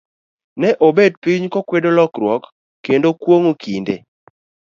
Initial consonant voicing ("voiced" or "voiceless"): voiced